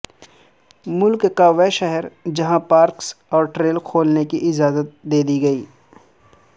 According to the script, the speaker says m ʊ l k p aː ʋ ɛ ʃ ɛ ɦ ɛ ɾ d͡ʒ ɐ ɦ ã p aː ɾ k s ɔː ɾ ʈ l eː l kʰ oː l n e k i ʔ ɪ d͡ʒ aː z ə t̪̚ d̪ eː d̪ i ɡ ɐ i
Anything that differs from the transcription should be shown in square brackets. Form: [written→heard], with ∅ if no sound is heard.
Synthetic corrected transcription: m ʊ l k [p→k] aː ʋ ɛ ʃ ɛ ɦ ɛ ɾ d͡ʒ ɐ ɦ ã p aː ɾ k s ɔː ɾ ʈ [l→ɾ] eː l kʰ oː l n e k i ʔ ɪ d͡ʒ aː z ə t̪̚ d̪ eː d̪ i ɡ ɐ [i→iː]